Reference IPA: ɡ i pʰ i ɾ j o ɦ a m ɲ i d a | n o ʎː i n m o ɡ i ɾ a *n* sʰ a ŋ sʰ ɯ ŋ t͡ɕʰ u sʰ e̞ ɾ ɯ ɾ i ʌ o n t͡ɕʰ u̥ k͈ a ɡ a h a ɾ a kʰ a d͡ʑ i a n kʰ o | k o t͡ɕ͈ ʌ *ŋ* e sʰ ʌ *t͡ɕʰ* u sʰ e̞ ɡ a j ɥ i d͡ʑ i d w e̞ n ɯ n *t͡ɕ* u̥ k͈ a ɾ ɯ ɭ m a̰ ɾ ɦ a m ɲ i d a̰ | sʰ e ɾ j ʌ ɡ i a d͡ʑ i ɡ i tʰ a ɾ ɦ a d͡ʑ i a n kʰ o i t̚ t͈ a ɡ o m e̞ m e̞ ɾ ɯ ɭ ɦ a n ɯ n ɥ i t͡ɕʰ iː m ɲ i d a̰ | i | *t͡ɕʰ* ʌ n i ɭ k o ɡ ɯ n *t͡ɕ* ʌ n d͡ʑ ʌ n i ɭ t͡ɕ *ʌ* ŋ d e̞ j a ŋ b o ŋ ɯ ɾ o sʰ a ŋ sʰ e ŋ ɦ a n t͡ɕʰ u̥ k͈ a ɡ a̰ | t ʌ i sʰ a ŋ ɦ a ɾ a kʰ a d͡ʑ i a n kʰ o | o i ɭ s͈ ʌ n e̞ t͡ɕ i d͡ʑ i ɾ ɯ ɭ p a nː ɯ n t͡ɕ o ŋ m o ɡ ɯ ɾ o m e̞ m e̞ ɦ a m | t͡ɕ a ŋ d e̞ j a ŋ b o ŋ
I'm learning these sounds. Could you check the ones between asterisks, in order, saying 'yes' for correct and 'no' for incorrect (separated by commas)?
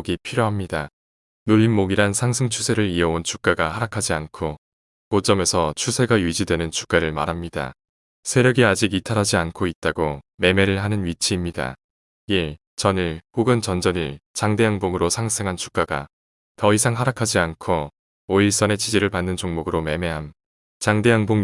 yes, no, yes, no, no, yes, no